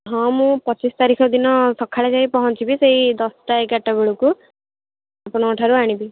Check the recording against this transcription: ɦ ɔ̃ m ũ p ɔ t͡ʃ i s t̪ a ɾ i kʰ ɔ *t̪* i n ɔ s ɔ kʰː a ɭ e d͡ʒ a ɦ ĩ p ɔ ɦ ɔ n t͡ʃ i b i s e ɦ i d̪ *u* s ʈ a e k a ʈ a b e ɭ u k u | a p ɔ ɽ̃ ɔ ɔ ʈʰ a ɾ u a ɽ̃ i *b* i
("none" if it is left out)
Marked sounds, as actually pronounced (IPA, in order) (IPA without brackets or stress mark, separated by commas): d̪, ɔ, b